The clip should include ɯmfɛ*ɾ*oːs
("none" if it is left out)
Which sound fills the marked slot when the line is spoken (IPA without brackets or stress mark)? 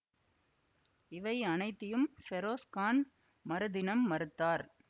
ɾ